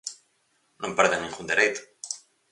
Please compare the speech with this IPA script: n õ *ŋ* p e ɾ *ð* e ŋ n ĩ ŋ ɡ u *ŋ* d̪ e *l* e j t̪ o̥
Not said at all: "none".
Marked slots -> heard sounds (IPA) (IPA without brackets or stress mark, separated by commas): m, ð, n, ɾ